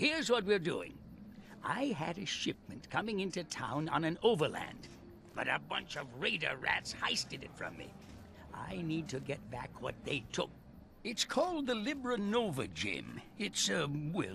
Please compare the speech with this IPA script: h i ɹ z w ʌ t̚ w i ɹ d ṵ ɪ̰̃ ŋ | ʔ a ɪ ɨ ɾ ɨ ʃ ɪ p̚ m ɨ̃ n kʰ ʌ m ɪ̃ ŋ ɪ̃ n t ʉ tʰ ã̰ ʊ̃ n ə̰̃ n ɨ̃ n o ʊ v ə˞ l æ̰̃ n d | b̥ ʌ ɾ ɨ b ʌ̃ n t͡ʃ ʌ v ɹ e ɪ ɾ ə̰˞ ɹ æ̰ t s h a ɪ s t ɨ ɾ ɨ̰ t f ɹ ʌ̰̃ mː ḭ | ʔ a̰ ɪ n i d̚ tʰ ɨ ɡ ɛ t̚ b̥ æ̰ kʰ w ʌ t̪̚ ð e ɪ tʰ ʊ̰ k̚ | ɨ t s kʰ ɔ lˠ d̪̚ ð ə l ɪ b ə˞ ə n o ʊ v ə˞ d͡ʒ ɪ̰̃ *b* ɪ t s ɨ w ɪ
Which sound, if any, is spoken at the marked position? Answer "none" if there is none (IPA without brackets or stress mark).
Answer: m